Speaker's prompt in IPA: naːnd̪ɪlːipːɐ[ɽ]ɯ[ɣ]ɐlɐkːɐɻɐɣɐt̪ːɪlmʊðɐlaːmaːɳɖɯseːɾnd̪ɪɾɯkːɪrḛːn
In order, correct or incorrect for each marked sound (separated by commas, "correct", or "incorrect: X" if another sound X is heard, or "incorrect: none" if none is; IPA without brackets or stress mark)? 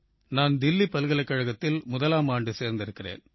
incorrect: l, correct